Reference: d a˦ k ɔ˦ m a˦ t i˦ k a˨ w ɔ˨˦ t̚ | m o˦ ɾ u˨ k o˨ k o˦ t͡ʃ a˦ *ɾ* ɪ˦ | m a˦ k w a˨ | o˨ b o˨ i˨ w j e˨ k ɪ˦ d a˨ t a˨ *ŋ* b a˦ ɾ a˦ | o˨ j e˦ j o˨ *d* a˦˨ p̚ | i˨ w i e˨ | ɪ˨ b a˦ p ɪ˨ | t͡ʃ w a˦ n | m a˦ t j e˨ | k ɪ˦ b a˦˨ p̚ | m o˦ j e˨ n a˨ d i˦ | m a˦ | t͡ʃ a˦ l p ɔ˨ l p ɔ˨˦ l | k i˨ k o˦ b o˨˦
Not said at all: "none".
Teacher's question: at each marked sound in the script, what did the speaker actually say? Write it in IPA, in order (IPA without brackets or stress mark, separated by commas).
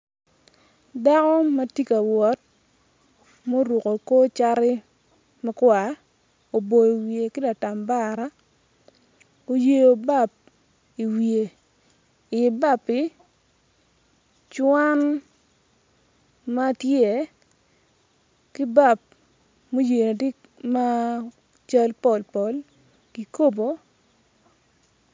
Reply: ɾ, m, b